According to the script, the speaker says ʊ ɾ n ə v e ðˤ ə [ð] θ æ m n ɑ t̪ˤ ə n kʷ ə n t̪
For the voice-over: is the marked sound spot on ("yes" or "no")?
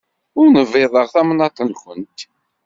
no